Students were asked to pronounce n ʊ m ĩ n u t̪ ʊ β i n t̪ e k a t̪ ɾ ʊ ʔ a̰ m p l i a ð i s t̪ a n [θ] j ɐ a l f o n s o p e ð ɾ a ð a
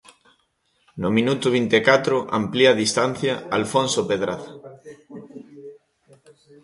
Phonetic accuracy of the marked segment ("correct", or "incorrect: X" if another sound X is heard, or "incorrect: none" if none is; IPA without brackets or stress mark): correct